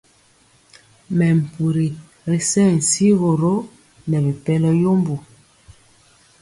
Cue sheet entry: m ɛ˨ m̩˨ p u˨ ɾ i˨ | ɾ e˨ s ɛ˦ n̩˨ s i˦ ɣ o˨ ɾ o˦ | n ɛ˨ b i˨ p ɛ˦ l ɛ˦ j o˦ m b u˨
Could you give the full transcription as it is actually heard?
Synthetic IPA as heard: m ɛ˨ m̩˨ p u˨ ɾ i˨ | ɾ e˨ s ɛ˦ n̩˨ s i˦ ɣ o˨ ɾ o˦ | n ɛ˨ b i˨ p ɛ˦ l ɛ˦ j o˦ m b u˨

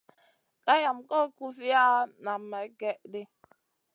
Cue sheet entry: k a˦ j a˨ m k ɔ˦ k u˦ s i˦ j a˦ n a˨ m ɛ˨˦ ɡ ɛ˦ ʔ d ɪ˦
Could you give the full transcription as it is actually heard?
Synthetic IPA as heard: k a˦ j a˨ m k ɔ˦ k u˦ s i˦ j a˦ n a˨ m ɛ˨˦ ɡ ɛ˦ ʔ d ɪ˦

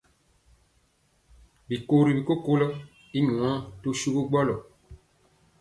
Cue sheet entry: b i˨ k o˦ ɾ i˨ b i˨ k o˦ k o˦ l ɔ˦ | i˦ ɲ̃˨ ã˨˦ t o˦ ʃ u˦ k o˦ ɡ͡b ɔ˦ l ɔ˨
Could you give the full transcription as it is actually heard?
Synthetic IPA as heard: b i˨ k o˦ ɾ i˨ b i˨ k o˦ k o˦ l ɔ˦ | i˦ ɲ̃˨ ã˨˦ t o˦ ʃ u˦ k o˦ ɡ͡b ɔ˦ l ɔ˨

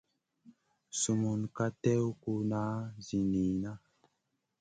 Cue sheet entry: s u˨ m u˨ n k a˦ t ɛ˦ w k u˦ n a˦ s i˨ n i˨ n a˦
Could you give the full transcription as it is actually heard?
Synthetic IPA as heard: s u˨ m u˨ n k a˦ t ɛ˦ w k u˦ n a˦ z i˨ n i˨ n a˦

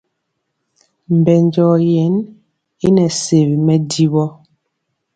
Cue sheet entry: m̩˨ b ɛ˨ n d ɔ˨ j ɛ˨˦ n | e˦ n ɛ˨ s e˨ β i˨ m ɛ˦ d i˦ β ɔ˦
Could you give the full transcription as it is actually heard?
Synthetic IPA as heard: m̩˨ b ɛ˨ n d͡ʒ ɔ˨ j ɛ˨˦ n | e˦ n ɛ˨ s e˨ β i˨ m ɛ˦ d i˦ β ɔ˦

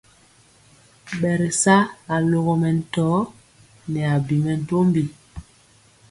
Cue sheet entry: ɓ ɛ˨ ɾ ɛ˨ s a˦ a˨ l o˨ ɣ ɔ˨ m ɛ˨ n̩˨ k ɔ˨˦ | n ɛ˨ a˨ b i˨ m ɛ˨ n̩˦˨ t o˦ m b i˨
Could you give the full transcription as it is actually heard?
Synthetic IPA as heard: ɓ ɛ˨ ɾ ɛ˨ s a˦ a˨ l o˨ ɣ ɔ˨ m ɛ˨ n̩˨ t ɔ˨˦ | n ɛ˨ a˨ b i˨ m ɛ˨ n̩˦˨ t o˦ m b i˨

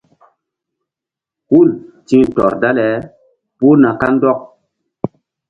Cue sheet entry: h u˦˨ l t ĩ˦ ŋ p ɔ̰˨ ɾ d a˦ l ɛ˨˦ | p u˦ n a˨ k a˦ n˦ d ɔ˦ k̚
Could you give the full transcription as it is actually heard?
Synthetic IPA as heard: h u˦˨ l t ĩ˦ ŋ t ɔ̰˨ ɾ d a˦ l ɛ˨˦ | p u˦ n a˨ k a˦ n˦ d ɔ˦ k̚

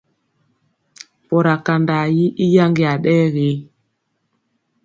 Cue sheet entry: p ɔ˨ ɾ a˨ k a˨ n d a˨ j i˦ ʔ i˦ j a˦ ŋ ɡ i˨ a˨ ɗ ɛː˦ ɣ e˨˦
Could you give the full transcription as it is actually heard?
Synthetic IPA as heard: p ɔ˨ ɾ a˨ k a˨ n d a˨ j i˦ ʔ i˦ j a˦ ŋ ɡ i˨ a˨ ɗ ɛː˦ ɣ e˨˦

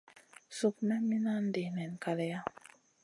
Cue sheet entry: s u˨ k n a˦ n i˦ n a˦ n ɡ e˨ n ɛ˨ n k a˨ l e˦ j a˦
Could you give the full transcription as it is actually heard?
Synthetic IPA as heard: s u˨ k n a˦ m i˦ n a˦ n d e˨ n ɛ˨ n k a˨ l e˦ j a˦

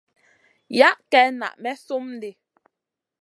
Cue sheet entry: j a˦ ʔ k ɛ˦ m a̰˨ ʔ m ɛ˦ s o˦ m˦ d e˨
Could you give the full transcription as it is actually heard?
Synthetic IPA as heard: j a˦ ʔ k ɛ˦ n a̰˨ ʔ m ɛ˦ s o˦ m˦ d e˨

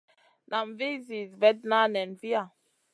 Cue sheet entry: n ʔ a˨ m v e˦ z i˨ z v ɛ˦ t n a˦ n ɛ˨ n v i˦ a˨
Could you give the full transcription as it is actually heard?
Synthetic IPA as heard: n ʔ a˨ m v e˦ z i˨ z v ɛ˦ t n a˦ n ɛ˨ n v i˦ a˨

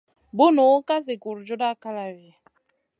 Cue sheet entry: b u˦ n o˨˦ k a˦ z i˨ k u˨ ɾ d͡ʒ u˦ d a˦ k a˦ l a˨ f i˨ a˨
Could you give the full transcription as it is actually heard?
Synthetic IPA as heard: b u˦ n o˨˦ k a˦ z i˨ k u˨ ɾ d͡ʒ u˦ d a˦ k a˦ l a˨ v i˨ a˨

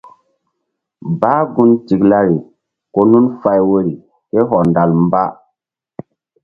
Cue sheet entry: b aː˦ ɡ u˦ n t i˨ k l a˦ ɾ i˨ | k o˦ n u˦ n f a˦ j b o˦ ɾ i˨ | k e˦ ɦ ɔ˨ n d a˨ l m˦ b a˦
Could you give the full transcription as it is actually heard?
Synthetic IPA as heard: b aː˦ ɡ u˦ n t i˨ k l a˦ ɾ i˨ | k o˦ n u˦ n f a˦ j w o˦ ɾ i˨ | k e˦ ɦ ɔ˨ n d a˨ l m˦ b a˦

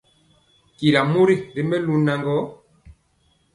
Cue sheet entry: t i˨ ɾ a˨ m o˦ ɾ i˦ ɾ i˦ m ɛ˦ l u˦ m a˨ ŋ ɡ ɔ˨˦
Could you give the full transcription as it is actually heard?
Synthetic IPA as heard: k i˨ ɾ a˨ m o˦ ɾ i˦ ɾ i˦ m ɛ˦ l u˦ n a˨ ŋ ɡ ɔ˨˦

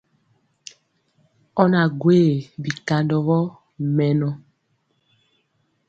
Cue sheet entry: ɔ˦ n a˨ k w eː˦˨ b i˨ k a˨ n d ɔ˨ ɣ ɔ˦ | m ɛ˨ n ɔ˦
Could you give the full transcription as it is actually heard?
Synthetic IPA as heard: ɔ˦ n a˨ ɡ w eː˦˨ b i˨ k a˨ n d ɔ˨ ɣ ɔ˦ | m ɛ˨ n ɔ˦

